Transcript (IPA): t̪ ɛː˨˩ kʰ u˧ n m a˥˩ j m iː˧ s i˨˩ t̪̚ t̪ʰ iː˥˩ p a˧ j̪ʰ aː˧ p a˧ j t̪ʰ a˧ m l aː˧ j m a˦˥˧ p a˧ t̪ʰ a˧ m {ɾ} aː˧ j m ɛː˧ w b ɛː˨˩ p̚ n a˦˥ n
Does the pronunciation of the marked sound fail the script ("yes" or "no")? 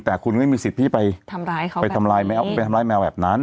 yes